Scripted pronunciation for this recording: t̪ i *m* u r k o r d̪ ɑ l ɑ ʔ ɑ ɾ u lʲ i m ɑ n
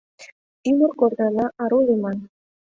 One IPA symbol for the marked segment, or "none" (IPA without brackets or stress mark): m